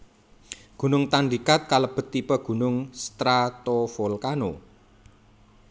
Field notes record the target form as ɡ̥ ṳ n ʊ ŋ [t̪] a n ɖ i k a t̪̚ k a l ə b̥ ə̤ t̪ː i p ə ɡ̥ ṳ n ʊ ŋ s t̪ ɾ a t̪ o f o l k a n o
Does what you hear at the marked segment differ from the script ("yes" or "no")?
no